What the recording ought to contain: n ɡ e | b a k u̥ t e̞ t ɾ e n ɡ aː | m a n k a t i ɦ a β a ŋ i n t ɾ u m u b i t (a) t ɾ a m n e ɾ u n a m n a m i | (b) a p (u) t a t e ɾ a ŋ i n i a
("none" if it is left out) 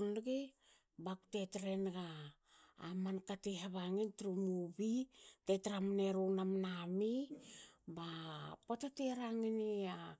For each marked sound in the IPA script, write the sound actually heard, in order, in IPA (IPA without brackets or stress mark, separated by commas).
e, b, o